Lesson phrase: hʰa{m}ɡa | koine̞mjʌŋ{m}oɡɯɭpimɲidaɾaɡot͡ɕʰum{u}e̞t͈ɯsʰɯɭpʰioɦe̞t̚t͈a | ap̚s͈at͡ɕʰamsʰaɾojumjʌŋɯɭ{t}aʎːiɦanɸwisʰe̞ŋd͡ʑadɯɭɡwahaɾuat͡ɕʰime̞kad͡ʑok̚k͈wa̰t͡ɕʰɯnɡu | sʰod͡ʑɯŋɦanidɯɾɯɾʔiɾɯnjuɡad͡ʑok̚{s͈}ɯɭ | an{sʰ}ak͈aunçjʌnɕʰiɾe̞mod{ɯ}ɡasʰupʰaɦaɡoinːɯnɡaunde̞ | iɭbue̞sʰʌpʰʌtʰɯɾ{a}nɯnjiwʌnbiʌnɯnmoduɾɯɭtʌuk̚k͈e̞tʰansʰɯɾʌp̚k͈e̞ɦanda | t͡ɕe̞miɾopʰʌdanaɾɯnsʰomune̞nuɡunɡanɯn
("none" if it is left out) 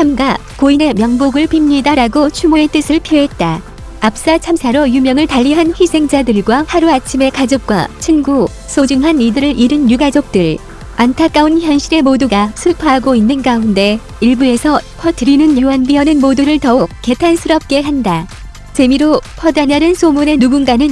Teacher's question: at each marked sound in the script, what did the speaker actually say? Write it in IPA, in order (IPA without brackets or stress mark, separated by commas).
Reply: m, b, o, t, t͈, tʰ, u, i